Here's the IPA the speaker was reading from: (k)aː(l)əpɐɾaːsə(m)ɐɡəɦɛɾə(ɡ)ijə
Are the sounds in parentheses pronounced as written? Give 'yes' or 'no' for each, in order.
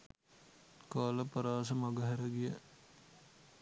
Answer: yes, yes, yes, yes

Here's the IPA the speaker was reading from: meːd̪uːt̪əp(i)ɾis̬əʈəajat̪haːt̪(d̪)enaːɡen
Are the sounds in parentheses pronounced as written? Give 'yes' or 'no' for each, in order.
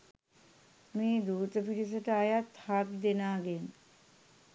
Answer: yes, yes

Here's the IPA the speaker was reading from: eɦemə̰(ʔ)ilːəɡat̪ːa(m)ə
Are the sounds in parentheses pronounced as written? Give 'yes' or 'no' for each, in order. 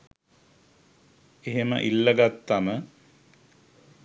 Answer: yes, yes

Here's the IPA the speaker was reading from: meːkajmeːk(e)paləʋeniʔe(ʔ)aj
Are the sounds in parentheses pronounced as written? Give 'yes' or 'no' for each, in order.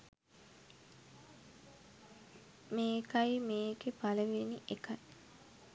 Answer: yes, no

